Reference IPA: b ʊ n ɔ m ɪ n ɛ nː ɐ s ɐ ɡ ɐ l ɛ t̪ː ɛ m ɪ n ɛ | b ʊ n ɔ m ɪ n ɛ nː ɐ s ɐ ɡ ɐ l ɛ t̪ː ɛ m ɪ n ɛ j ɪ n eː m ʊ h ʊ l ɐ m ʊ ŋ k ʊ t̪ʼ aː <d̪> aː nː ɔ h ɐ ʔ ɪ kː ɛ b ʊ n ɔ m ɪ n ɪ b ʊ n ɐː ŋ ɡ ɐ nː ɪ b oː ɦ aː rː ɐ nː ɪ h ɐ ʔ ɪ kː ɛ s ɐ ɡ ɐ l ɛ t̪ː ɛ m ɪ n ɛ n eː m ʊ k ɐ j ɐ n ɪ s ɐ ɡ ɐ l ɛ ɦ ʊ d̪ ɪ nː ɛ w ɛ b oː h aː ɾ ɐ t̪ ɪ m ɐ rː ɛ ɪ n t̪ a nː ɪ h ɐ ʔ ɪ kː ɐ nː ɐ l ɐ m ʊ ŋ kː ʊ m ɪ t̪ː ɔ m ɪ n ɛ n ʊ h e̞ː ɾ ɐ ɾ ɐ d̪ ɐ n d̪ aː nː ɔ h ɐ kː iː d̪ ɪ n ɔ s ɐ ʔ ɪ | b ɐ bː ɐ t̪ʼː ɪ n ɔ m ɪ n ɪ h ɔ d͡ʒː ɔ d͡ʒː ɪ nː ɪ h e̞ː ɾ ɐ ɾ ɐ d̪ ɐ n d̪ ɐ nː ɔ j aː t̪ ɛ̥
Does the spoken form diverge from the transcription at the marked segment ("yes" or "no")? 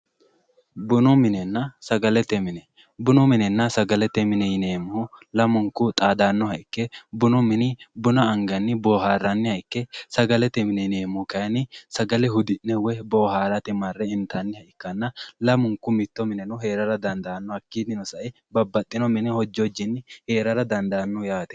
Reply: no